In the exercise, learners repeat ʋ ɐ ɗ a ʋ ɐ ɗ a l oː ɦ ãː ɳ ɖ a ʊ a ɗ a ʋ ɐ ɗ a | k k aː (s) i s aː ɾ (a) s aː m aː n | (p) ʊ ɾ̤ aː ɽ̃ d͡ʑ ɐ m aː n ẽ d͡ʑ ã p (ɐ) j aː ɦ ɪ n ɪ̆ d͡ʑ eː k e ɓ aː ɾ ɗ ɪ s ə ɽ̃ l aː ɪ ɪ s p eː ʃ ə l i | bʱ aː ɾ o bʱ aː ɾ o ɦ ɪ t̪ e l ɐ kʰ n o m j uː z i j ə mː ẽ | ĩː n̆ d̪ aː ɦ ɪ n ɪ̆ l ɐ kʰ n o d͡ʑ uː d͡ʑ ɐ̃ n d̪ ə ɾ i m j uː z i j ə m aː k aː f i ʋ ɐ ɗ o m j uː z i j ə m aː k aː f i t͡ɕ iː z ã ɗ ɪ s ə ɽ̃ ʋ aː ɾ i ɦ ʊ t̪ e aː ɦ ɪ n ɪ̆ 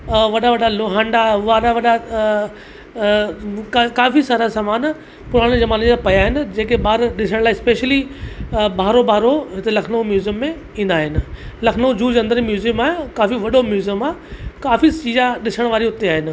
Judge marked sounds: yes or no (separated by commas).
no, yes, yes, yes